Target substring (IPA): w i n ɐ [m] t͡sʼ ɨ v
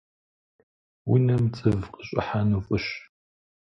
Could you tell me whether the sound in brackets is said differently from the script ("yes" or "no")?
no